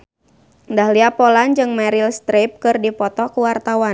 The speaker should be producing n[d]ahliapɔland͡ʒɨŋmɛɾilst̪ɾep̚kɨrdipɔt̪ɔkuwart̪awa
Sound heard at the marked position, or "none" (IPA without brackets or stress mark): d